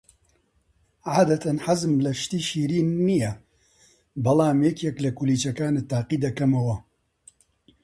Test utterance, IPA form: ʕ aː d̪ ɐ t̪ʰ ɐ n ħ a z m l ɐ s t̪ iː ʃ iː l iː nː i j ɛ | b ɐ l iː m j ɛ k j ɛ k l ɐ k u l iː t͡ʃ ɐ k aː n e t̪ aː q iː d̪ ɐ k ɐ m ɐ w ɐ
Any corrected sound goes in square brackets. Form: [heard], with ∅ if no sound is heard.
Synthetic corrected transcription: ʕ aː d̪ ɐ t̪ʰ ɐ n ħ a z m l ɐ [ʃ] t̪ iː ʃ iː [ɾ] iː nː i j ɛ | b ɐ l [aː] m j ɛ k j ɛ k l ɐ k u l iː t͡ʃ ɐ k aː n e t̪ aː q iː d̪ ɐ k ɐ m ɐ w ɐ